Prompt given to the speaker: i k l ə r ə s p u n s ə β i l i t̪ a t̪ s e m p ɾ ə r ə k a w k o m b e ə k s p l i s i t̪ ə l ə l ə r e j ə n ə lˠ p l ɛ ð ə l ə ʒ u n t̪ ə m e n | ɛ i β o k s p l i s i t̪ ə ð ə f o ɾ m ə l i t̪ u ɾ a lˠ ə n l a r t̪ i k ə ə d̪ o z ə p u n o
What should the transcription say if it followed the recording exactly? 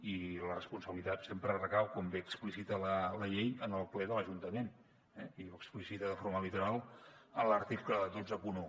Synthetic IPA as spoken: i l ə r ə s p u n s ə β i l i t̪ a t̪ s e m p ɾ ə r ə k a w k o m b e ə k s p l i s i t̪ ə l ə l ə ʎ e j ə n ə lˠ p l ɛ ð ə l ə ʒ u n t̪ ə m e n | ɛ i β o k s p l i s i t̪ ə ð ə f o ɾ m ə l i t̪ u ɾ a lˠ ə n l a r t̪ i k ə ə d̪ o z ə p u n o